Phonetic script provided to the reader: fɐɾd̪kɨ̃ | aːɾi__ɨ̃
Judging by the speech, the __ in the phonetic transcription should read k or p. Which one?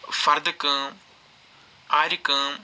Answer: k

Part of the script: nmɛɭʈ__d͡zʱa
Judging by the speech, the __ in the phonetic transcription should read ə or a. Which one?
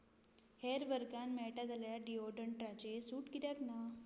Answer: a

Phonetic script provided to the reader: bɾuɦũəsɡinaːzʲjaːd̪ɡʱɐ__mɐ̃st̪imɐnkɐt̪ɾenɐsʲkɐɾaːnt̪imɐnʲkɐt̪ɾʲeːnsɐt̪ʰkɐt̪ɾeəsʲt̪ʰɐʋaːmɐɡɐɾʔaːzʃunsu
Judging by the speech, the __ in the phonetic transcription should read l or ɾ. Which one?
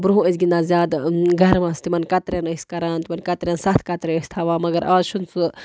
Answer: ɾ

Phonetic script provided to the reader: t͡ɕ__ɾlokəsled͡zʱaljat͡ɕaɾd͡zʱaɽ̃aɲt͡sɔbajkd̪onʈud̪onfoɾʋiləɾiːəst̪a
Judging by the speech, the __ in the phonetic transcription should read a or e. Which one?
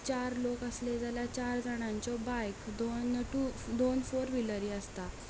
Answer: a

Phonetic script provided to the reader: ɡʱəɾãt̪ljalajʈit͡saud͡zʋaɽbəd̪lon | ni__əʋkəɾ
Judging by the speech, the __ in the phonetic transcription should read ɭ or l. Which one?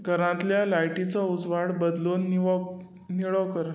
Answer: ɭ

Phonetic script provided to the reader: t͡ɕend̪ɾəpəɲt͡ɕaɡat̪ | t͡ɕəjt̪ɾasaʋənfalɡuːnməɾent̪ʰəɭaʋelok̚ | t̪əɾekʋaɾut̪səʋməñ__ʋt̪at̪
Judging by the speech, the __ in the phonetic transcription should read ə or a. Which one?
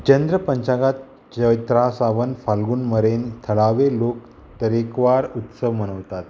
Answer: ə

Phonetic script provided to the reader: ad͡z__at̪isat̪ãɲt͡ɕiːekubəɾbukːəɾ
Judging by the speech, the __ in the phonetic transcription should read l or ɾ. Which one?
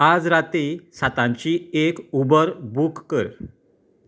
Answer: ɾ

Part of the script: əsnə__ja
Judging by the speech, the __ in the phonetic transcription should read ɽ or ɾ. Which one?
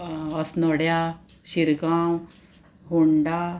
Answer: ɽ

